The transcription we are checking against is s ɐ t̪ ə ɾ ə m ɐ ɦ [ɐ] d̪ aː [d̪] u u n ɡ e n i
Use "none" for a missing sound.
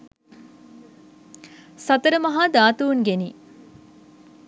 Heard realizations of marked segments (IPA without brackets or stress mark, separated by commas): a, t̪